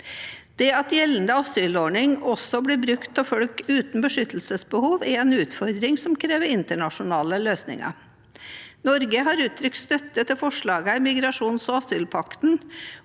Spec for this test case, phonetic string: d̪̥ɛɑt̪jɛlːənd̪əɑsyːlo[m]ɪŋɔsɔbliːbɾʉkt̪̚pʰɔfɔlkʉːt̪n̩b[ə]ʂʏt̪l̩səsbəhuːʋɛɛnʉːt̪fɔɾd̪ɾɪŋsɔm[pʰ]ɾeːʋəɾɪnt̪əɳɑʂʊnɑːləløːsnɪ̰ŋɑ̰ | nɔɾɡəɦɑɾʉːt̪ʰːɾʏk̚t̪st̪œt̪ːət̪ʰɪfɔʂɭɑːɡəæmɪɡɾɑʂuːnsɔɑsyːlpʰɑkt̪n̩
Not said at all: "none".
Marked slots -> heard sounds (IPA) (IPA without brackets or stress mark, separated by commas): ɳ, ə, kʰ